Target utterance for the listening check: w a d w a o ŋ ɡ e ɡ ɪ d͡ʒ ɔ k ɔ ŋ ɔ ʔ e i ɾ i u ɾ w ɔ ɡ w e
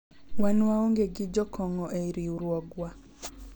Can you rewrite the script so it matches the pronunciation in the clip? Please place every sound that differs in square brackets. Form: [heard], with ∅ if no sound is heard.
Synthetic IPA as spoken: w a [n] w a o ŋ ɡ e ɡ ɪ d͡ʒ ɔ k ɔ ŋ ɔ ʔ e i ɾ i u ɾ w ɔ ɡ w [a]